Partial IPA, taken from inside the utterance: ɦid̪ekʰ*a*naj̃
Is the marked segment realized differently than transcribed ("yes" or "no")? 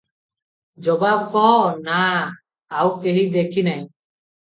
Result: yes